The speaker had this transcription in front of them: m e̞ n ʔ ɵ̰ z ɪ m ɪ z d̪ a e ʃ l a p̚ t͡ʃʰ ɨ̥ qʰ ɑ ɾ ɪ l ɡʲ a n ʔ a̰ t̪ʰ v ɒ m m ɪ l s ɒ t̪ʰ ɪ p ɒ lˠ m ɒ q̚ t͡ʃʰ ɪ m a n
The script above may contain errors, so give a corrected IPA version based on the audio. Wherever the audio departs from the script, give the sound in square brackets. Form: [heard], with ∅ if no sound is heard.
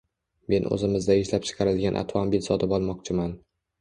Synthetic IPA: m e̞ n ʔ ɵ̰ z ɪ m ɪ z d̪ a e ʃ l a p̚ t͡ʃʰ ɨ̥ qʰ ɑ ɾ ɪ l ɡʲ a n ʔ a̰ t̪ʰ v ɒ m [b] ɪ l s ɒ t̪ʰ ɪ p ɒ lˠ m ɒ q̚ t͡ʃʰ ɪ m a n